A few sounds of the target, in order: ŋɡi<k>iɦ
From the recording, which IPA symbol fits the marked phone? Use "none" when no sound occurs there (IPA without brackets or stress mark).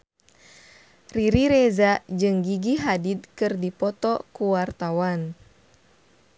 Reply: ɡ